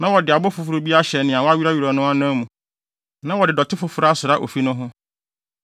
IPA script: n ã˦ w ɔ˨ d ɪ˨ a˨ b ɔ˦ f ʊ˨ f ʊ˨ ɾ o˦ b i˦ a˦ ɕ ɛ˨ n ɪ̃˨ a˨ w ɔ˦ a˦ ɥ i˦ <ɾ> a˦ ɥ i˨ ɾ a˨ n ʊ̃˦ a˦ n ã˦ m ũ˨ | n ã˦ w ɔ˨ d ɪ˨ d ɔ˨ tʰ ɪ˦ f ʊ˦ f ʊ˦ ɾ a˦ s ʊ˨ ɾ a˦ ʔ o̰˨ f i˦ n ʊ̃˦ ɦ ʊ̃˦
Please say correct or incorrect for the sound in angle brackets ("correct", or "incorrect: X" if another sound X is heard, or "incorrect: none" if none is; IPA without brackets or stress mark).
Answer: correct